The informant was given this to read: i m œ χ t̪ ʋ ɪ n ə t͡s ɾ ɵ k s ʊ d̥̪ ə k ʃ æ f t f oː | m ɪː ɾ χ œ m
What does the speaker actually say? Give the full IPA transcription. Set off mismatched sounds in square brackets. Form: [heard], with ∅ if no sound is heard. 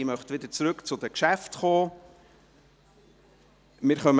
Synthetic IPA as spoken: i m œ χ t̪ ʋ ɪ [d] ə t͡s ɾ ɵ k [t͡s] ʊ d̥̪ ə k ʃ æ f t [χ] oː | m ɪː ɾ χ œ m